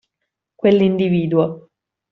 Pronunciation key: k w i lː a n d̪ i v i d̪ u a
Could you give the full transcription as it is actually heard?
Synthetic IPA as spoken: k w e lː i n d̪ i v iː d̪ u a

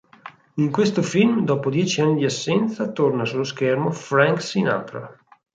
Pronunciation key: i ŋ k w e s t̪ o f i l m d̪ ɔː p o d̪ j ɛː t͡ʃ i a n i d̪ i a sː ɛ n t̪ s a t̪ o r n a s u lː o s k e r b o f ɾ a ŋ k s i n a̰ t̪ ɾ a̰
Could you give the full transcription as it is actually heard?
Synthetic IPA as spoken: i ŋ k w e s t̪ o f i l m d̪ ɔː p o d̪ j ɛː t͡ʃ i a nː i d̪ i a sː ɛ n t̪ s a t̪ o r n a s u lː o s k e r m o f ɾ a ŋ k s i n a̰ t̪ ɾ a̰

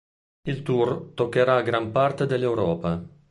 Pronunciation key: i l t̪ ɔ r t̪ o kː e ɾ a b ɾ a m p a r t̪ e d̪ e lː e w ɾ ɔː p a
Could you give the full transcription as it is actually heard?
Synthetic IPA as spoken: i l t̪ u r t̪ o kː e ɾ a ɡ ɾ a m p a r t̪ e d̪ e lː e w ɾ ɔː p a

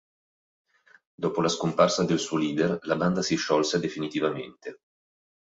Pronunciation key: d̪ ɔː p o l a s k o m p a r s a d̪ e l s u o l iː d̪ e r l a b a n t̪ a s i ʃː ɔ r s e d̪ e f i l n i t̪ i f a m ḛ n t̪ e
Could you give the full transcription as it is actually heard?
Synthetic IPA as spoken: d̪ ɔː p o l a s k o m p a r s a d̪ e l s u o l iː d̪ e r l a b a n d̪ a s i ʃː ɔ l s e d̪ e f i n i t̪ i v a m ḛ n t̪ e

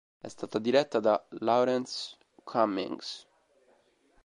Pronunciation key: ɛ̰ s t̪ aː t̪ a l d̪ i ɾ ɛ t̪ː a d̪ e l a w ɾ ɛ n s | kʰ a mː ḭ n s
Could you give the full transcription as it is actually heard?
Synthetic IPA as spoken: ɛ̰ s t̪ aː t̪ a d̪ i ɾ ɛ t̪ː a d̪ a l a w ɾ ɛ n s | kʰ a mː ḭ ŋ s

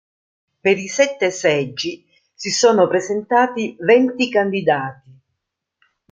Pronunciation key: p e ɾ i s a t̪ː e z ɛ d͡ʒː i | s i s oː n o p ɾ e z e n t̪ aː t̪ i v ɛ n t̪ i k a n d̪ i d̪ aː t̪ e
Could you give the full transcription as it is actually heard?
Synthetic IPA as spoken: p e ɾ i s ɛ t̪ː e s ɛ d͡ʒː i | s i s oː n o p ɾ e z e n t̪ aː t̪ i v ɛ n t̪ i k a n d̪ i d̪ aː t̪ i

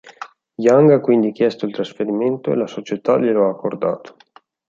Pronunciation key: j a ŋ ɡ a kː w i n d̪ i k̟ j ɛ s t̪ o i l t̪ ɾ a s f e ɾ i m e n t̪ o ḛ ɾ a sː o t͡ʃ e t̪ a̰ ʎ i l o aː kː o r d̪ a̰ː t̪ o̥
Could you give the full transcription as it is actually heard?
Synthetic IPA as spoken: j a ŋ ɡ a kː w i n d̪ i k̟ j ɛ s t̪ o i l t̪ ɾ a s f e ɾ i m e n t̪ o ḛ l a s o t͡ʃ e t̪ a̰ ʎ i l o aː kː o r d̪ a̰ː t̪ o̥

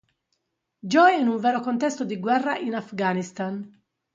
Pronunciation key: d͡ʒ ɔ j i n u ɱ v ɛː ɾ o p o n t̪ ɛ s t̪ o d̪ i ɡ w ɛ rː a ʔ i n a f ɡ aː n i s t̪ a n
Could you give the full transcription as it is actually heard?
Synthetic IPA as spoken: d͡ʒ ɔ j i n u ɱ v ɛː ɾ o k o n t̪ ɛ s t̪ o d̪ i ɡ w ɛ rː a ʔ i n a f ɡ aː n i s t̪ a n

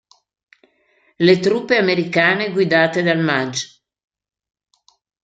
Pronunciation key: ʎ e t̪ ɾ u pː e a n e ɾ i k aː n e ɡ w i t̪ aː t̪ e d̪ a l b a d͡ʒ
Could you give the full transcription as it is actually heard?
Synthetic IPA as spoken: l e t̪ ɾ u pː e a m e ɾ i k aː n e ɡ w i d̪ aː t̪ e d̪ a l m a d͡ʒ

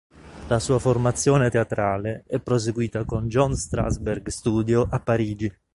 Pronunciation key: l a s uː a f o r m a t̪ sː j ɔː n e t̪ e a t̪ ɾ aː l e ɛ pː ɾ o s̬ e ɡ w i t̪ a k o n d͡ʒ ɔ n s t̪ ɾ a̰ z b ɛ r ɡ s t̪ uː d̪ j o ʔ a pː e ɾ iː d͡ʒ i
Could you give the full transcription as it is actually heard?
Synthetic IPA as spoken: l a s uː a f o r m a t̪ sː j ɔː n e t̪ e a t̪ ɾ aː l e ɛ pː ɾ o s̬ e ɡ w iː t̪ a k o n d͡ʒ ɔ n s t̪ ɾ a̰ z b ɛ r ɡ s t̪ uː d̪ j o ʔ a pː a ɾ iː d͡ʒ i

